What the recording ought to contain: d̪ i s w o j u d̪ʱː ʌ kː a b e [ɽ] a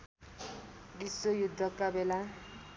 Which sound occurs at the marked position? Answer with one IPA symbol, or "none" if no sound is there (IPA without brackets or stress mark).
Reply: l